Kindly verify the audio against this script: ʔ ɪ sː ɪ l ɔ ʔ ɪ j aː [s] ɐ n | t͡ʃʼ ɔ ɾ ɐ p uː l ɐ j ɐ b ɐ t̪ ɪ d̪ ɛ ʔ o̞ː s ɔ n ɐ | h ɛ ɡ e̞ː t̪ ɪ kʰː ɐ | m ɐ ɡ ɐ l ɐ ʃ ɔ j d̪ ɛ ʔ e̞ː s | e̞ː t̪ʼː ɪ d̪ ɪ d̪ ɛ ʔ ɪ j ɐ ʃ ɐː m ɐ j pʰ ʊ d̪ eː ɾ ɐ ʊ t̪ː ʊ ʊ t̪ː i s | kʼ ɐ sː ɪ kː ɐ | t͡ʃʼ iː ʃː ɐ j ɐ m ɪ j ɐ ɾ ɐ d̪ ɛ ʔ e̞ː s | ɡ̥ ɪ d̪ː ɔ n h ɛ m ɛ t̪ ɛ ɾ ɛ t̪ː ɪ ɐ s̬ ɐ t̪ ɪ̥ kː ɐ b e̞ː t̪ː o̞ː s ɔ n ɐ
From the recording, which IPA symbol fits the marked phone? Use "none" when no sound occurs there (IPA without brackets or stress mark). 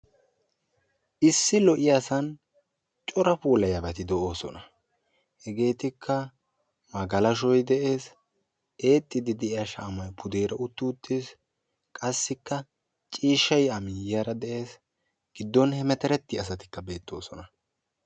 s